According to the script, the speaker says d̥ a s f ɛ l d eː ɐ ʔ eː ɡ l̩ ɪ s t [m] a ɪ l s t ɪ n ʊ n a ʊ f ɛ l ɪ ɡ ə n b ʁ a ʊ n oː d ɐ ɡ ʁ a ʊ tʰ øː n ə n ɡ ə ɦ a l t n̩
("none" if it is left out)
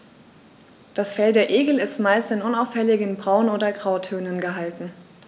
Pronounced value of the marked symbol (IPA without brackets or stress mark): m